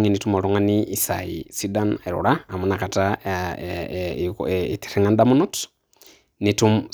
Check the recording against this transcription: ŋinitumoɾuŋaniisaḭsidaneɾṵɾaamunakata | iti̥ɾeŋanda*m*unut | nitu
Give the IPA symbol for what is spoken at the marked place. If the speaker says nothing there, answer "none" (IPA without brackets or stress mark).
m